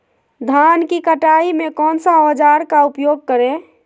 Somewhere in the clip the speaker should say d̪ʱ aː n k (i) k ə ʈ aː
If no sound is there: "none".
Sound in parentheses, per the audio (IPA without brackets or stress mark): i